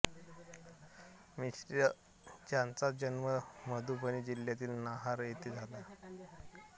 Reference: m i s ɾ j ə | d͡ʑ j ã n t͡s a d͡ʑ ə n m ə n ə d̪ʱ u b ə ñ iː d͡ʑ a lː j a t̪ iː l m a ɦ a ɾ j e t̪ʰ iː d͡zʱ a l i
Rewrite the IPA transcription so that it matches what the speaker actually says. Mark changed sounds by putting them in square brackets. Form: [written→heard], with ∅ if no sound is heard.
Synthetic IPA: m i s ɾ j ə | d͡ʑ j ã n t͡s a d͡ʑ ə n m ə [n→m] ə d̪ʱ u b ə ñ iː d͡ʑ [a→i] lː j a t̪ iː l [m→n] a ɦ a ɾ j e [t̪ʰ→t̪] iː d͡zʱ a l [i→a]

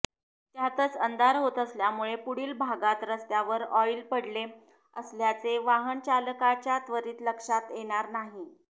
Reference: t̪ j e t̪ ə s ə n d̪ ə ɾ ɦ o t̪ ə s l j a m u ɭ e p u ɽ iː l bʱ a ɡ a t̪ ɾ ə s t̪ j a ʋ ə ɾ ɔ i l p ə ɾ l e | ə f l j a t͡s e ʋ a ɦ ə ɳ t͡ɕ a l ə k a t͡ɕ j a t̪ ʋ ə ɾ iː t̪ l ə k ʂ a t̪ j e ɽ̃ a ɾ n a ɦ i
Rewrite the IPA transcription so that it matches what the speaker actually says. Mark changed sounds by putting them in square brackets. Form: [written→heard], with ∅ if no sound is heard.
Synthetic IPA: t̪ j [e→a] t̪ ə [s→t͡s] ə n d̪ [ə→a] ɾ ɦ o t̪ ə s l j a m u ɭ e p u ɽ iː l bʱ a ɡ a t̪ ɾ ə s t̪ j a ʋ ə ɾ ɔ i l p ə [ɾ→ɽ] l e | ə [f→s] l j a t͡s e ʋ a ɦ ə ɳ t͡ɕ a l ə k a t͡ɕ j a t̪ ʋ ə ɾ iː t̪ l ə k ʂ a t̪ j e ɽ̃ a ɾ n a ɦ i

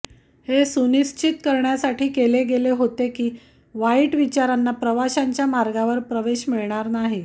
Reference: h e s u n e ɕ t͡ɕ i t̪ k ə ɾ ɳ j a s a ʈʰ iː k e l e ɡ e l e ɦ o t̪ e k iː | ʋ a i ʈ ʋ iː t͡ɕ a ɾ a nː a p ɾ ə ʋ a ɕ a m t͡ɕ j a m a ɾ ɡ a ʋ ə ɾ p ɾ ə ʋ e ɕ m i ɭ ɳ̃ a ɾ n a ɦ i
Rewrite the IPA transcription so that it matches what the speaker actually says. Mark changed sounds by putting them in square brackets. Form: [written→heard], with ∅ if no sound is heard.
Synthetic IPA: h e s u n [e→i] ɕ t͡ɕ i t̪ k ə ɾ ɳ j a s a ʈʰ iː k e l e ɡ e l e ɦ o t̪ e k iː | ʋ a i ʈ ʋ [iː→i] t͡ɕ a ɾ a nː a p ɾ ə ʋ a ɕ a [m→ɲ] t͡ɕ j a m a ɾ ɡ a ʋ ə ɾ p ɾ ə ʋ e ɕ m i ɭ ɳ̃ a ɾ n a ɦ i

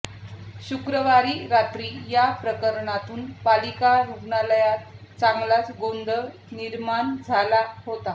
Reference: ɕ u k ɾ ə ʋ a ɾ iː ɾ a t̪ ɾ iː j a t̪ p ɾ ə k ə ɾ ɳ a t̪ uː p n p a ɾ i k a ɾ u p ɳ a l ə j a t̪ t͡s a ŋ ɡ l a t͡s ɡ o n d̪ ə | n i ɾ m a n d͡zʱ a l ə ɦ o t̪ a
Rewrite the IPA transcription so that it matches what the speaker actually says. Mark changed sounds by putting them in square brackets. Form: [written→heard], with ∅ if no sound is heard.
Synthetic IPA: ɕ u k ɾ ə ʋ a ɾ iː ɾ a t̪ ɾ iː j a [t̪→∅] p ɾ ə k ə ɾ ɳ a t̪ uː [p→∅] n p a [ɾ→l] i k a ɾ u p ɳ a l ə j a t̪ t͡s a ŋ ɡ l a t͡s ɡ o n d̪ ə | n i ɾ m a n d͡zʱ a l [ə→a] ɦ o t̪ a

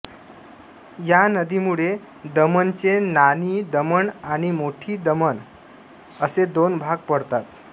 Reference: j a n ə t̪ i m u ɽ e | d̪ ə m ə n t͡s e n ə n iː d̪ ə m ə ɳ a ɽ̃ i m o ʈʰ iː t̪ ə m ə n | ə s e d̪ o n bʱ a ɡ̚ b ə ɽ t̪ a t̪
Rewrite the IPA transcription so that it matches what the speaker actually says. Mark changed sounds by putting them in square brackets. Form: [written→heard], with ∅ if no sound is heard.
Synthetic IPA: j a n ə [t̪→d̪] i m u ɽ e | d̪ ə m ə n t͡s e n [ə→a] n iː d̪ ə m ə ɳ a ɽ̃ i m o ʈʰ iː [t̪→d̪] ə m ə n | ə s e d̪ o n bʱ a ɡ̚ [b→p] ə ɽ t̪ a t̪

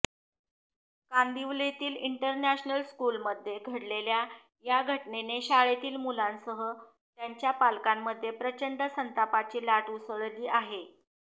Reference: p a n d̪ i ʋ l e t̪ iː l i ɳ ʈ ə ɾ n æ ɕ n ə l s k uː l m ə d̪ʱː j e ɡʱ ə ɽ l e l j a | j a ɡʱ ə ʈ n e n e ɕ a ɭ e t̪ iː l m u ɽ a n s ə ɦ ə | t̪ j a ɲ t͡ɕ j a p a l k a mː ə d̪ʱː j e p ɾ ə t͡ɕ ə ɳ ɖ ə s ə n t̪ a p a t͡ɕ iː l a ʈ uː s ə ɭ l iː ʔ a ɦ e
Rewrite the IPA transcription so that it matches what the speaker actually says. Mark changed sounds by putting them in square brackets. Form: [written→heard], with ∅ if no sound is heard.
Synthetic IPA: [p→k] a n d̪ i ʋ l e t̪ iː l i ɳ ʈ ə ɾ n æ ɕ n ə l s k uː l m ə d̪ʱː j e ɡʱ ə ɽ l e l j a | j a ɡʱ ə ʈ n e n e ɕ a ɭ e t̪ iː l m u [ɽ→l] a n s ə ɦ ə | t̪ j a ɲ t͡ɕ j a p a l k a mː ə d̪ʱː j e p ɾ ə t͡ɕ ə ɳ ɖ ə s ə n t̪ a p a t͡ɕ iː l a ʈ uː s ə ɭ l iː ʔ a ɦ e

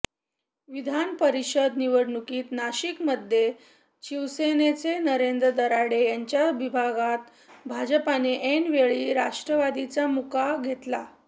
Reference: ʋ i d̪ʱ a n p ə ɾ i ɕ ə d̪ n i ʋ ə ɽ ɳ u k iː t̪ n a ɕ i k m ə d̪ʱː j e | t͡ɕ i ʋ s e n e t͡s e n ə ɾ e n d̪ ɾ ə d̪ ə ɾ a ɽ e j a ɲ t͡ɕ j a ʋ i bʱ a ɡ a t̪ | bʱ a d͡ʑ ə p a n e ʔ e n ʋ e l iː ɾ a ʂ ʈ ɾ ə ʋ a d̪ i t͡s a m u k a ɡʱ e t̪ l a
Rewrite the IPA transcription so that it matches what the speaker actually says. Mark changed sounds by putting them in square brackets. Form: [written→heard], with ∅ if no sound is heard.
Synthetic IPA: ʋ i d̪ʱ a n p ə ɾ i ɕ ə d̪ n i ʋ ə ɽ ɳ u k iː t̪ n a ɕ i k m ə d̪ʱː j e | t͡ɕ i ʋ s e n e t͡s e n ə ɾ e n d̪ ɾ ə d̪ ə ɾ a ɽ e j a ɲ t͡ɕ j a ʋ i bʱ a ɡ a t̪ | bʱ a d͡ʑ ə p a n e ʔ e n ʋ e [l→ɭ] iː ɾ a ʂ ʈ ɾ ə ʋ a d̪ i t͡s a m u k a ɡʱ e t̪ l a

